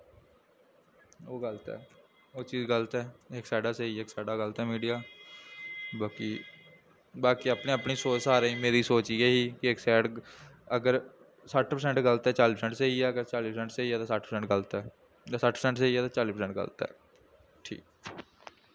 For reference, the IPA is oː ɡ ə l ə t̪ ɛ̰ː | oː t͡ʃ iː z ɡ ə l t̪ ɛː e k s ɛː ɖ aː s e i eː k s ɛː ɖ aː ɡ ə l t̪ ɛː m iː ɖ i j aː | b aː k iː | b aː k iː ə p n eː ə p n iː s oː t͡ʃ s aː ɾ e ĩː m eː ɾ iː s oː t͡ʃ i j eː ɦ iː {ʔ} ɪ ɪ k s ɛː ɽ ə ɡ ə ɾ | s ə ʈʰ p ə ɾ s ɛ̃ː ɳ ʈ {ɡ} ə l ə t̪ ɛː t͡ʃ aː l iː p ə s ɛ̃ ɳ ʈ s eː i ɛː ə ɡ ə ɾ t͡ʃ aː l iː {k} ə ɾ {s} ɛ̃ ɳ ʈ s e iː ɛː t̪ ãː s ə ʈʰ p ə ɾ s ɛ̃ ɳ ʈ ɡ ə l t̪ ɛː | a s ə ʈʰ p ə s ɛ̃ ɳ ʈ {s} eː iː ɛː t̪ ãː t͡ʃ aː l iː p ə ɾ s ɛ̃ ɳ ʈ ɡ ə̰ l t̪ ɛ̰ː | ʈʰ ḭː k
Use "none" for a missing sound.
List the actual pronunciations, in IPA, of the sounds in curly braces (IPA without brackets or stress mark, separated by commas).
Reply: k, ɡ, p, s, s